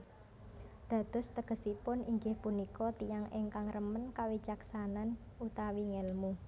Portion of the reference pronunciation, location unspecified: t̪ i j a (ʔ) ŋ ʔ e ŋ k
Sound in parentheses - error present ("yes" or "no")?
yes